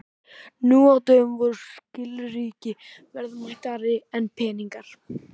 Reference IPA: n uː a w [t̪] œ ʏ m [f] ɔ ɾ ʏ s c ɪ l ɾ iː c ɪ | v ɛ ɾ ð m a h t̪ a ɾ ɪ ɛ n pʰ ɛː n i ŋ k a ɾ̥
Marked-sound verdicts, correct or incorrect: correct, incorrect: v

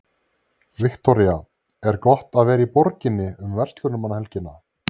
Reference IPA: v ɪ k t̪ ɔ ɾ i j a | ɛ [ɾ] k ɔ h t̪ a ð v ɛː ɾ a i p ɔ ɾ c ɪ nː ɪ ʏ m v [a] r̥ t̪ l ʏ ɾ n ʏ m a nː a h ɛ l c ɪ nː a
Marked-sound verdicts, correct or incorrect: correct, incorrect: ɛ

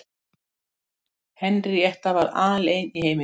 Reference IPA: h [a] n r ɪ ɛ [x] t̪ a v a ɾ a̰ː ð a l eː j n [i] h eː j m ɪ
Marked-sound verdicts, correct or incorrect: incorrect: ɛ, incorrect: h, correct

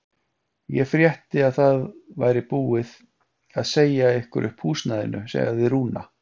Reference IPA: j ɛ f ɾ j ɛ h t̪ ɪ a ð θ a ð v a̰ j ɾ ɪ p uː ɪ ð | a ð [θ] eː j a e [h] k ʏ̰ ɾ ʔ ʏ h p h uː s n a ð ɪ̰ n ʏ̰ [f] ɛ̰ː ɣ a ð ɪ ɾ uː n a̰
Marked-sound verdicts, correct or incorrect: incorrect: s, correct, incorrect: s

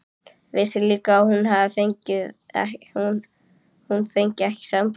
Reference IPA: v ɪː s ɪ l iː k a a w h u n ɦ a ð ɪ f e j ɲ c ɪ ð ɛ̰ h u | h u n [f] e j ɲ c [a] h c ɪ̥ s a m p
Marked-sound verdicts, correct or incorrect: correct, incorrect: ɛ

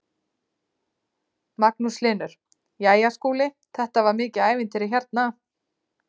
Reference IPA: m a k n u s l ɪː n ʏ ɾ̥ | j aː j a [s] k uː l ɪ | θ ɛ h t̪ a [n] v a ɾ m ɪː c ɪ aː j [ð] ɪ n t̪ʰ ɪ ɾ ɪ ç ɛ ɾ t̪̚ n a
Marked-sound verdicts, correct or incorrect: correct, incorrect: none, incorrect: v

